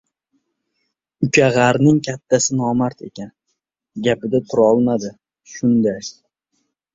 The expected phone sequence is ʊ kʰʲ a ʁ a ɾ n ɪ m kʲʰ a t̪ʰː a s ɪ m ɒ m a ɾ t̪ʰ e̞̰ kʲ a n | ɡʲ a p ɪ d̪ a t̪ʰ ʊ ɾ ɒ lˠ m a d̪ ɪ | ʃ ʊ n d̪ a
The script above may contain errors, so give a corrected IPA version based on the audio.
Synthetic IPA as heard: ʊ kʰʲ a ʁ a ɾ n ɪ ŋ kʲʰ a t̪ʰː a s ɪ n ɒ m a ɾ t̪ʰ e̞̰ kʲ a n | ɡʲ a p ɪ d̪ a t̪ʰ ʊ ɾ ɒ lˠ m a d̪ ɪ | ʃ ʊ n d̪ a

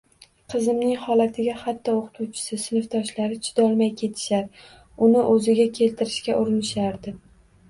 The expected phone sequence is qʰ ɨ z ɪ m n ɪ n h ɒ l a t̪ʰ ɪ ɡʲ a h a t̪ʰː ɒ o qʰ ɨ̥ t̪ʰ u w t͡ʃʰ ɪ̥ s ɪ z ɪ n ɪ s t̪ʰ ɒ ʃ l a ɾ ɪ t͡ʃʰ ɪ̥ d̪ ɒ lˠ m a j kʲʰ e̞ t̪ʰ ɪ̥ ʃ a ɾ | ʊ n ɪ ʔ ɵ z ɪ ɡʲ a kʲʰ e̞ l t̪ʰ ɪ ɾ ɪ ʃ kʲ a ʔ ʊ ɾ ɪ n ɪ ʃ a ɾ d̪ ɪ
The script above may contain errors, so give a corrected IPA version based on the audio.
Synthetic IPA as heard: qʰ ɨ z ɪ m n ɪ ŋ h ɒ l a t̪ʰ ɪ ɡʲ a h a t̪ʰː ɒ o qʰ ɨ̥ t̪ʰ u w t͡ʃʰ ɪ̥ s ɪ s ɪ n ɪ f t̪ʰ ɒ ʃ l a ɾ ɪ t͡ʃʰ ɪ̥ d̪ ɒ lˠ m a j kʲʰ e̞ t̪ʰ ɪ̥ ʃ a ɾ | ʊ n ɪ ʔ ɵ z ɪ ɡʲ a kʲʰ e̞ l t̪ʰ ɪ ɾ ɪ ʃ kʲ a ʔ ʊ ɾ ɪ n ɪ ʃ a ɾ d̪ ɪ

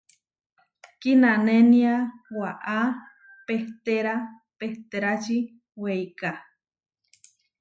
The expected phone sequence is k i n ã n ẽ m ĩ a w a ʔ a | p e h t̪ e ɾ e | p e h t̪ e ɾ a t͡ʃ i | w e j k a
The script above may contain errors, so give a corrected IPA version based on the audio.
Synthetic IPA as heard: k i n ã n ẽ n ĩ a w a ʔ a | p e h t̪ e ɾ a | p e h t̪ e ɾ a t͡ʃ i | w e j k a

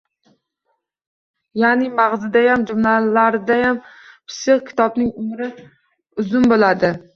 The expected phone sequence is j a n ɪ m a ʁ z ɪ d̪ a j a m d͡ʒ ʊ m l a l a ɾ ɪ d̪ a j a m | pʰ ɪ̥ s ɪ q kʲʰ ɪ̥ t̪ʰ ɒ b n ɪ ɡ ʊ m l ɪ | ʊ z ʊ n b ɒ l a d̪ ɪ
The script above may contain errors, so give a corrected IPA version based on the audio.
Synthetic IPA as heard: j a n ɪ m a ʁ z ɪ d̪ a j a m d͡ʒ ʊ m l a l a ɾ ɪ d̪ a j a m | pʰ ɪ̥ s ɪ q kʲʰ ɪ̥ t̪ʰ ɒ b n ɪ ŋ ʊ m ɾ ɪ | ʊ z ʊ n b o l a d̪ ɪ

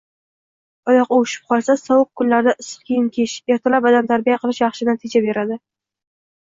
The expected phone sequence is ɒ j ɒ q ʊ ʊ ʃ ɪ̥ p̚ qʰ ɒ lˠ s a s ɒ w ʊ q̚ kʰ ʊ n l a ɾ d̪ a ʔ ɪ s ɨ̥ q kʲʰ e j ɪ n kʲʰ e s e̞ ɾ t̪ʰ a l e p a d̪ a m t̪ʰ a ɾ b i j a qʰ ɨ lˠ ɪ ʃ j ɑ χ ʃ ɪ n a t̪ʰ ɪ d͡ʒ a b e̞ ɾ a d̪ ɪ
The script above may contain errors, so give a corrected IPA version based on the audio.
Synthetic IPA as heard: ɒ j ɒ q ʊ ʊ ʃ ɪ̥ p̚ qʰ ɒ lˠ s a s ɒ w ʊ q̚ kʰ ʊ n l a ɾ d̪ a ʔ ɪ s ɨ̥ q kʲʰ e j ɪ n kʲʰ e ʃ e̞ ɾ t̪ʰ a l a p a d̪ a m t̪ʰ a ɾ b i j a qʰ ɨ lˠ ɪ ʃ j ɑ χ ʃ ɪ n a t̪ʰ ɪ d͡ʒ a b e̞ ɾ a d̪ ɪ

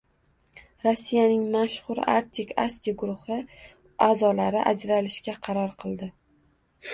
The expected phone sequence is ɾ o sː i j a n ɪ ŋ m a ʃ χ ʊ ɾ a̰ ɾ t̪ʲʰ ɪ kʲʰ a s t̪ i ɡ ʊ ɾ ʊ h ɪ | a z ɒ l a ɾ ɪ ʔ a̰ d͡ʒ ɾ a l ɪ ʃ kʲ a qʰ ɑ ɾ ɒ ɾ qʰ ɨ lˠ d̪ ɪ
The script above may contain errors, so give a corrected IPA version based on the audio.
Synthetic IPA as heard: ɾ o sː i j a n ɪ ŋ m a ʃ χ ʊ ɾ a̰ ɾ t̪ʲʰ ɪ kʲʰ a s t̪ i ɡ ʊ ɾ ʊ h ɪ | a z ɒ l a ɾ ɪ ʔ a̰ d͡ʒ ɾ a l ɪ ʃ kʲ a qʰ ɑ ɾ ɒ ɾ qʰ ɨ lˠ d̪ ɪ

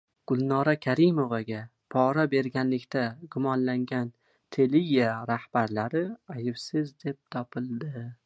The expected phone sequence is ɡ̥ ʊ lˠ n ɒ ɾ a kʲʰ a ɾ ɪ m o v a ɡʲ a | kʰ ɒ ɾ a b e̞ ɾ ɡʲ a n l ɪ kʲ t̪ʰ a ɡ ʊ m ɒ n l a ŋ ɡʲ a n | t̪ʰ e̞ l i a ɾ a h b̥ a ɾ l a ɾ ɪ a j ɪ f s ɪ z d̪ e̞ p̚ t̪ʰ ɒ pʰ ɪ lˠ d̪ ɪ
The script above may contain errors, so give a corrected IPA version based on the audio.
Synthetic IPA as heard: ɡ̥ ʊ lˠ n ɒ ɾ a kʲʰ a ɾ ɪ m o v a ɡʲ a | pʰ ɒ ɾ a b e̞ ɾ ɡʲ a n l ɪ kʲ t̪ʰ a ɡ ʊ m ɒ n l a ŋ ɡʲ a n | t̪ʰ e̞ l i a ɾ a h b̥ a ɾ l a ɾ ɪ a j ɪ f s ɪ z d̪ e̞ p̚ t̪ʰ ɒ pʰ ɪ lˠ d̪ ɪ

